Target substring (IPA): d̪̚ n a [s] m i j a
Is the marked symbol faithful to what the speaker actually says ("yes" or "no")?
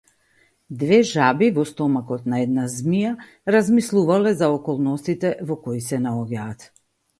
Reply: no